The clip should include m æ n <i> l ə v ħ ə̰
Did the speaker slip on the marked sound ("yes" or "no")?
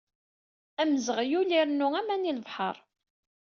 no